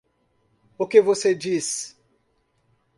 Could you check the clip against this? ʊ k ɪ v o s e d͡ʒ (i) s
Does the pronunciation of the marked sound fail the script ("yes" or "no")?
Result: no